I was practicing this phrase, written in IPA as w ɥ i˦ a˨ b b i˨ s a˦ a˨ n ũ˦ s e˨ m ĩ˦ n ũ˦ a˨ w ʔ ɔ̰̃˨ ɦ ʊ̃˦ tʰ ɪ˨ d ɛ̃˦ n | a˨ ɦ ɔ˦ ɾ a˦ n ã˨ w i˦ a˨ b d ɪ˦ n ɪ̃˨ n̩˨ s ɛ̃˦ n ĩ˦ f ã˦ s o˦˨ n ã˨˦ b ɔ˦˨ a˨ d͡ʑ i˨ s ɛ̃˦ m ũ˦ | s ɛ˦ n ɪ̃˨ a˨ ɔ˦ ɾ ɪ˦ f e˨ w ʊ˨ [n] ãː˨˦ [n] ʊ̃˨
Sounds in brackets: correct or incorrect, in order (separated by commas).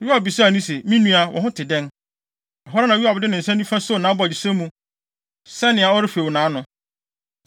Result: correct, correct